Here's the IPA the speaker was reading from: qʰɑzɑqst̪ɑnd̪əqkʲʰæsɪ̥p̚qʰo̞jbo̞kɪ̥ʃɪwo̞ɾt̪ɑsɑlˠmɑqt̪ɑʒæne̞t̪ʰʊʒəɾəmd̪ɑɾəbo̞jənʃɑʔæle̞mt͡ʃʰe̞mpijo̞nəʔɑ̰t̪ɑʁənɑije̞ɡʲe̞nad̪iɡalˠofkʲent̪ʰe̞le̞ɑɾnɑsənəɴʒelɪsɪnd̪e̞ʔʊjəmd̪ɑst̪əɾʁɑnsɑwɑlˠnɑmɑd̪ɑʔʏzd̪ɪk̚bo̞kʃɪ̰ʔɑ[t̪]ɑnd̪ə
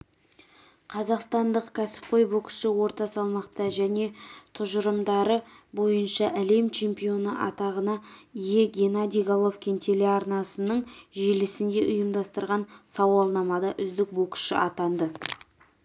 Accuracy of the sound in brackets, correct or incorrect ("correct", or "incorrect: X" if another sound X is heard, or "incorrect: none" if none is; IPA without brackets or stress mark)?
correct